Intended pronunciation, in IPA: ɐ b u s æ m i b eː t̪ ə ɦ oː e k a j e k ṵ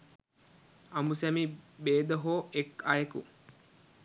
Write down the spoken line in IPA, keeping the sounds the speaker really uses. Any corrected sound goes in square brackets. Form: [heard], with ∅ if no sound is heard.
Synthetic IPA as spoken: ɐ [m] u s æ m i b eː [d̪] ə ɦ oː e k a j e k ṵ